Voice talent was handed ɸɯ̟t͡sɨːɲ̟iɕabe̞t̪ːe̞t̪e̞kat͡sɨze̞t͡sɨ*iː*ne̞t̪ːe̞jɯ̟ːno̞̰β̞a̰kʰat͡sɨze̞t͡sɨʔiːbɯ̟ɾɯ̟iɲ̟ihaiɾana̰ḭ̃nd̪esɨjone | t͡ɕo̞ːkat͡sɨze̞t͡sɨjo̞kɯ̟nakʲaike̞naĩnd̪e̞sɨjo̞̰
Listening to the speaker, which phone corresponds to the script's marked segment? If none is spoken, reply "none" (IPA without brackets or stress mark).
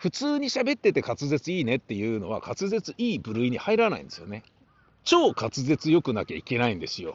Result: iː